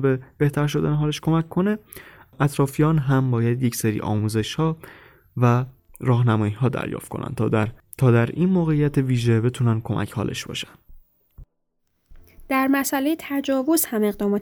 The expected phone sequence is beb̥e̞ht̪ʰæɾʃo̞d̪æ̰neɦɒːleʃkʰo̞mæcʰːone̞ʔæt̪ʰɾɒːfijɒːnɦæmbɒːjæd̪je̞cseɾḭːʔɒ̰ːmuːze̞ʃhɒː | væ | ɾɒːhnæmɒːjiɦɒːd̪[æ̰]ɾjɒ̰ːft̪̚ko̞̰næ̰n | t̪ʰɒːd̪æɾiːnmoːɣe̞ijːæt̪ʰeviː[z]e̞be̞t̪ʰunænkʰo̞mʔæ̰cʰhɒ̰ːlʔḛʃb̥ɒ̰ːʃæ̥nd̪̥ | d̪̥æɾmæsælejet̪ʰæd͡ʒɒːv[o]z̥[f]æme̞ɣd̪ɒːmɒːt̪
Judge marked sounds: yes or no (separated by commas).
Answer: yes, no, yes, no